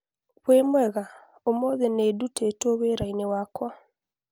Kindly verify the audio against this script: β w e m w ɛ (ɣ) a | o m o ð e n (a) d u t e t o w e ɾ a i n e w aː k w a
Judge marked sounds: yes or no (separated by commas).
yes, no